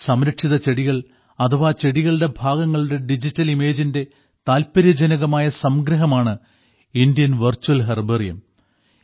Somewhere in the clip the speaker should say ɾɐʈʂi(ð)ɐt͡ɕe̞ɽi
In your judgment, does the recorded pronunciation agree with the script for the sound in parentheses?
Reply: yes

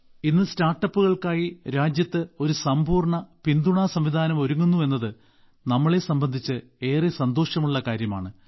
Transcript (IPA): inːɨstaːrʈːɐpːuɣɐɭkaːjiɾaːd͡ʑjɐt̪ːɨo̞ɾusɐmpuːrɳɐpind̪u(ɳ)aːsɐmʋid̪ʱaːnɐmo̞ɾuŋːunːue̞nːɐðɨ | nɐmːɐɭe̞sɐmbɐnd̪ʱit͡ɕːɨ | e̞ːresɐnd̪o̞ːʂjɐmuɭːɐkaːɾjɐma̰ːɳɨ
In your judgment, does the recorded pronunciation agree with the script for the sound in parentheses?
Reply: yes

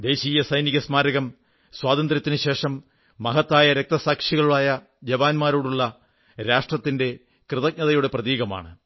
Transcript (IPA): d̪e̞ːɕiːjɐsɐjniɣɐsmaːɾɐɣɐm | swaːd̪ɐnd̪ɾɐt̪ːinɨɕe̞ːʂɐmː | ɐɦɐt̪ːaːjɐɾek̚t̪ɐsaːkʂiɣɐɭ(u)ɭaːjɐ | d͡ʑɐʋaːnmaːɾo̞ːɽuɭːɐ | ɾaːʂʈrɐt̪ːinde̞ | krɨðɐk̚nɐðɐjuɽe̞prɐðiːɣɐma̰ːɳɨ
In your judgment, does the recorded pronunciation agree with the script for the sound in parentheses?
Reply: yes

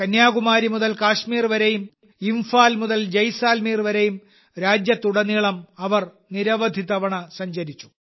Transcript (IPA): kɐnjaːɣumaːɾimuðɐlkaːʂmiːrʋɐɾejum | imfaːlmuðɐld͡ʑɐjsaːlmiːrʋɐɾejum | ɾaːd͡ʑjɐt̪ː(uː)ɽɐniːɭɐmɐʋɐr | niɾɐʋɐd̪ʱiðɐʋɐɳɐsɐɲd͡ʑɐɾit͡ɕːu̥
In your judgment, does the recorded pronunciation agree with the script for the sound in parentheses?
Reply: no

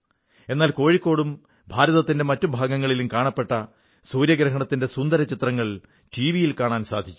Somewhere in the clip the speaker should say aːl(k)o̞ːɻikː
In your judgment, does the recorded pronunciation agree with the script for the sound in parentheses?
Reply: yes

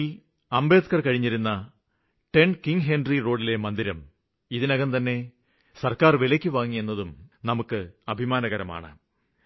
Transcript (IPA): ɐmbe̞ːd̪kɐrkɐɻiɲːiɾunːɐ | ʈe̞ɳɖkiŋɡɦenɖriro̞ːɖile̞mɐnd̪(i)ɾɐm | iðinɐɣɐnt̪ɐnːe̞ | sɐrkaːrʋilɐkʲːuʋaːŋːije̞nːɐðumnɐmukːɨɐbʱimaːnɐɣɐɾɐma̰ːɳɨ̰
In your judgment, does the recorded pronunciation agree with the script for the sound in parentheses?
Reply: yes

